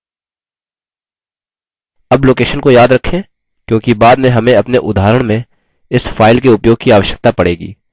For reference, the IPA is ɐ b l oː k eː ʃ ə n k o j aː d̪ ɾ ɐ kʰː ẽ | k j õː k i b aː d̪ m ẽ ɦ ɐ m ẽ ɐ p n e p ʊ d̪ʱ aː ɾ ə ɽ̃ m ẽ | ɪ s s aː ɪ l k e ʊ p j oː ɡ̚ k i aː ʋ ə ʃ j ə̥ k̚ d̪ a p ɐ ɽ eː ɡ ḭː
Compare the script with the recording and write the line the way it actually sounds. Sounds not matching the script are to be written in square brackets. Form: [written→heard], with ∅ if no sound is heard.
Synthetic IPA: ɐ b l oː k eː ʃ ə n k o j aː d̪ ɾ ɐ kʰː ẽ | k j õː k i b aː d̪ m ẽ ɦ ɐ m ẽ ɐ p n e [p→ʔ] ʊ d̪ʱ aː ɾ ə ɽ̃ m ẽ | ɪ s [s→f] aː ɪ l k e ʊ p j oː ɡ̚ k i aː ʋ ə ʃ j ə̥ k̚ [d̪→t̪] a p ɐ ɽ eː ɡ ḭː